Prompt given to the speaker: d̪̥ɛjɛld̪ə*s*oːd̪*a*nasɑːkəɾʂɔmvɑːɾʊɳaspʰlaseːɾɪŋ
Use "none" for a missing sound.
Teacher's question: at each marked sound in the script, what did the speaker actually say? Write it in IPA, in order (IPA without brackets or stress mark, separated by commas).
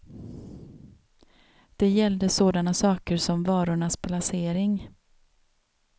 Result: s, a